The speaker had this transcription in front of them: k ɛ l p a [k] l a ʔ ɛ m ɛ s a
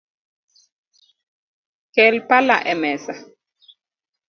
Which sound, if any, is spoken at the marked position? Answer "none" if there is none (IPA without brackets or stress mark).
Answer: none